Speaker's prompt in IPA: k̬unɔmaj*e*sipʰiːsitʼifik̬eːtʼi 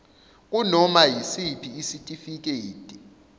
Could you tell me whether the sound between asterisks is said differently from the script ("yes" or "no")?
yes